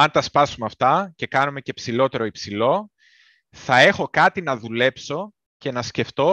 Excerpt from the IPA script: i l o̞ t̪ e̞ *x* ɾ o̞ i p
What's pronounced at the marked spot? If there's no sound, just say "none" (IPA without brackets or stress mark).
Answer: none